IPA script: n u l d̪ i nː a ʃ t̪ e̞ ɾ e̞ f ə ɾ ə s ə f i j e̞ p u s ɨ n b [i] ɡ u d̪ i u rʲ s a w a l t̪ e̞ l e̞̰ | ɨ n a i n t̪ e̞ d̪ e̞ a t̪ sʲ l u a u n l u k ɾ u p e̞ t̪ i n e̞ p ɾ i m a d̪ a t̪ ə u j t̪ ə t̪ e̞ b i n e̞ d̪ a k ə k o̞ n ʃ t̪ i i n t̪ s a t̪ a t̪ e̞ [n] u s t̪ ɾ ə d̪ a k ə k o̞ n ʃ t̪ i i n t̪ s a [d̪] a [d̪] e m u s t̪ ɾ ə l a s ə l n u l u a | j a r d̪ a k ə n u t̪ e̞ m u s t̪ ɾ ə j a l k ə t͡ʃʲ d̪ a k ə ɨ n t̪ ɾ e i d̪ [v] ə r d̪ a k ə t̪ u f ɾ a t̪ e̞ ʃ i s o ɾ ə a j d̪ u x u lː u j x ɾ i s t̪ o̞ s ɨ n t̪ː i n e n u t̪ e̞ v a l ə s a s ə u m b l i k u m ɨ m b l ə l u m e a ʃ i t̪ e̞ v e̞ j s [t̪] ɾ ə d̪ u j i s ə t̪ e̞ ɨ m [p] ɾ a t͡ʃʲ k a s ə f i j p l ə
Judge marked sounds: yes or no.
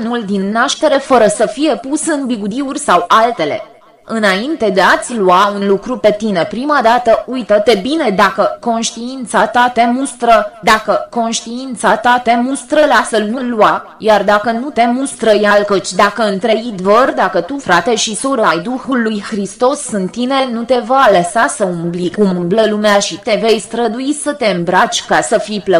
yes, no, no, no, yes, yes, no

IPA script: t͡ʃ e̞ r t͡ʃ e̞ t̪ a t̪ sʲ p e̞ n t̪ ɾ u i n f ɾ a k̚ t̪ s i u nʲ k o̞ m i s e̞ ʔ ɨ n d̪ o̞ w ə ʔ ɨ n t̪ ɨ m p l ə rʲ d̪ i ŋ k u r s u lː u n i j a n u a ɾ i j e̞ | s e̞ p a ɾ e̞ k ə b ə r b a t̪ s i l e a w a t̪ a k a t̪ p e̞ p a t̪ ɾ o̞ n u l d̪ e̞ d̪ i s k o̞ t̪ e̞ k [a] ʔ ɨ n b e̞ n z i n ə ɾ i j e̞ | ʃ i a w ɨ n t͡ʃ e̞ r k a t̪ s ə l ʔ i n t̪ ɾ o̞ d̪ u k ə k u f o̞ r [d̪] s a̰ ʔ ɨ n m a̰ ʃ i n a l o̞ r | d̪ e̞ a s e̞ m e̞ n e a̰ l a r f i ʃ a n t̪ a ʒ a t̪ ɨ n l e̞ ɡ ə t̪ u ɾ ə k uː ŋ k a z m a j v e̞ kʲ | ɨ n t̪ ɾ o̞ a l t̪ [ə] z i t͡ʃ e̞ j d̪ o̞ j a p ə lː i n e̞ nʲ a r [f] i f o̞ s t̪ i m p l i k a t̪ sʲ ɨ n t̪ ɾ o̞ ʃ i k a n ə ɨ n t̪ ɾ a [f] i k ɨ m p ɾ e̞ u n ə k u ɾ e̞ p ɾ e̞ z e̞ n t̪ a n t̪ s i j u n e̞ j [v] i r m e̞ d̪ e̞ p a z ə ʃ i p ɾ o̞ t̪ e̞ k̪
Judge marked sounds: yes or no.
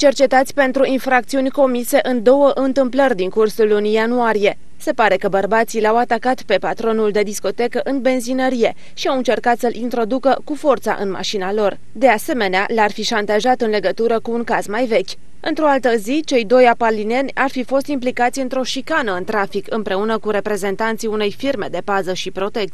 no, no, yes, yes, yes, no

